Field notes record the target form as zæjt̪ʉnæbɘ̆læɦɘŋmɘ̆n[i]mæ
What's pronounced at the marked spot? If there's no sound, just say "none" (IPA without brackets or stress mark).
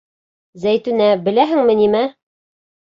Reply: i